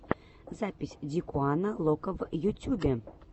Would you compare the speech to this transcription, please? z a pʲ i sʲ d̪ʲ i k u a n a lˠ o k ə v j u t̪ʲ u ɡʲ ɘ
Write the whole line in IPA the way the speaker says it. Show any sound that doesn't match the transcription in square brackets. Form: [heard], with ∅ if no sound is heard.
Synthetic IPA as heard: z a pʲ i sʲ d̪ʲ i k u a n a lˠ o k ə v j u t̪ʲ u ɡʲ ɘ